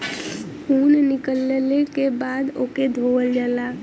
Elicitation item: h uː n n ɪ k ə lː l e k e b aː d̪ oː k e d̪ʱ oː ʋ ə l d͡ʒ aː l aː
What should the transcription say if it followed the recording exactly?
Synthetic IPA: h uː n n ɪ k ə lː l e k e b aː d̪ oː k e d̪ʱ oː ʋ ə l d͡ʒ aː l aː